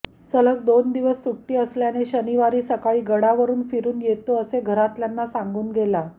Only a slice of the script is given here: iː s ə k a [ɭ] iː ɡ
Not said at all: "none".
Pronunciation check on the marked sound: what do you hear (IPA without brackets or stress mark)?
ɭ